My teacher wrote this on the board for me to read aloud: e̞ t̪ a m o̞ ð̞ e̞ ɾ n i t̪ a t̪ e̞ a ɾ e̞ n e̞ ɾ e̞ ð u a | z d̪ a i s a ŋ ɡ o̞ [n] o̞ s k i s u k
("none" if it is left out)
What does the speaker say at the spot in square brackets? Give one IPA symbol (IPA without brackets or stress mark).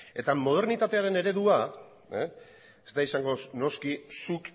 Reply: n